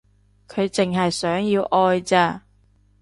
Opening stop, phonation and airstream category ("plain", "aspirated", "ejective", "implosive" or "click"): aspirated